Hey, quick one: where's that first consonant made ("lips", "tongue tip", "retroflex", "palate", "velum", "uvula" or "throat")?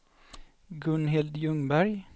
velum